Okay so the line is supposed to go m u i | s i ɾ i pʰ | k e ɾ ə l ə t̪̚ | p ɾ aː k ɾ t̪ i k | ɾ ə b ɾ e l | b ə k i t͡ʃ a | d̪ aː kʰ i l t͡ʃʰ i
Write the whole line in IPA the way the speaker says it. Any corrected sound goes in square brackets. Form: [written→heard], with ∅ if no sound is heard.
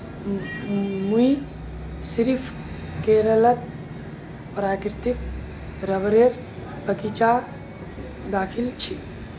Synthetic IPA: m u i | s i ɾ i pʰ | k e ɾ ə l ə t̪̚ | p ɾ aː k ɾ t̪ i k | ɾ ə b ɾ e [l→ɾ] | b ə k i t͡ʃ a | d̪ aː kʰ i l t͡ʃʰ i